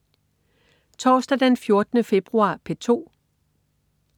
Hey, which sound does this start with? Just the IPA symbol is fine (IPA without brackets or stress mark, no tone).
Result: t͡sʰ